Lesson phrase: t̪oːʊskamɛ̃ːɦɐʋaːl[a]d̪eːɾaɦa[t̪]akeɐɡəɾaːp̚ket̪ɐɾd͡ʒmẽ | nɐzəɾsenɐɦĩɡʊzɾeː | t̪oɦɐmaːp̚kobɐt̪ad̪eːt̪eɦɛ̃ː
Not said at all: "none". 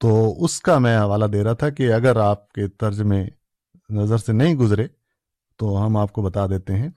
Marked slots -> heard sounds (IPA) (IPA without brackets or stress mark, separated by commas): a, t̪ʰ